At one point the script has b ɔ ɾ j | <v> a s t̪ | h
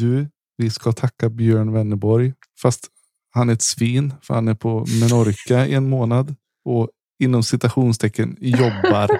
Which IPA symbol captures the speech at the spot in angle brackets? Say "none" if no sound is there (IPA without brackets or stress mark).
f